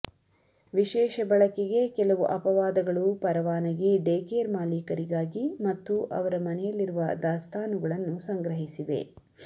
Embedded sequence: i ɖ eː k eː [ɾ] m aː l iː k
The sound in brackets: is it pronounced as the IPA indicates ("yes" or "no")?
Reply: yes